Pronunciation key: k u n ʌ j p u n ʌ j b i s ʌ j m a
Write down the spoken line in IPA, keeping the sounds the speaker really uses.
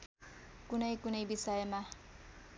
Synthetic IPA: k u n ʌ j k u n ʌ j b i s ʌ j m a